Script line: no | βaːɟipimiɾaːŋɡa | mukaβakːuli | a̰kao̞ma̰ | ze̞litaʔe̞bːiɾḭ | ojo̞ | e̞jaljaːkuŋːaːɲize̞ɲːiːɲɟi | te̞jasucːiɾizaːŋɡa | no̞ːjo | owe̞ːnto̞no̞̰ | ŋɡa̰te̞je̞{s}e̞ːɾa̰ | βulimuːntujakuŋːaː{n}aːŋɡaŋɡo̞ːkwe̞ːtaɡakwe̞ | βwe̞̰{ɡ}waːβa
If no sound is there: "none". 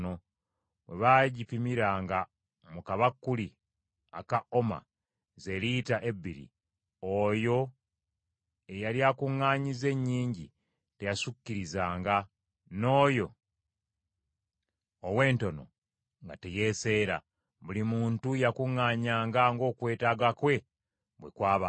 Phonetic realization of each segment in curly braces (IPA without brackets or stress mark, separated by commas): s, ɲ, k